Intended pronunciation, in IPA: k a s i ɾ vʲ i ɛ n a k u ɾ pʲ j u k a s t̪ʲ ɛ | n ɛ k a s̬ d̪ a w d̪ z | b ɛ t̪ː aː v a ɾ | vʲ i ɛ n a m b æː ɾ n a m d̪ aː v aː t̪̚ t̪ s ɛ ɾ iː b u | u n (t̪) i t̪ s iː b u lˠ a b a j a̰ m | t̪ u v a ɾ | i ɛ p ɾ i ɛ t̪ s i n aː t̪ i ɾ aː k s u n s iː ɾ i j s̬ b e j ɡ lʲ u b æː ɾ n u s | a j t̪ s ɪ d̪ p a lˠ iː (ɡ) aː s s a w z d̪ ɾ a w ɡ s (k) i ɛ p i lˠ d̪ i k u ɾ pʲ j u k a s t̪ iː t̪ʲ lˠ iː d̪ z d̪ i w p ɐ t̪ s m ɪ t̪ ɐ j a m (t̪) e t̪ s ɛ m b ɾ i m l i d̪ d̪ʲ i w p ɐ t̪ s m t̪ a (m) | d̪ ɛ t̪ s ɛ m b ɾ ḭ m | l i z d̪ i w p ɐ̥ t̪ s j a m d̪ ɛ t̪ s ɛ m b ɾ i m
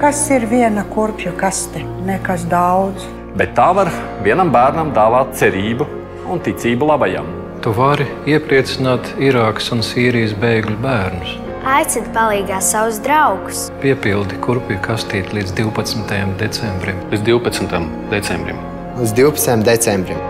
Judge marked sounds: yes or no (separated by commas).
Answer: yes, yes, no, no, yes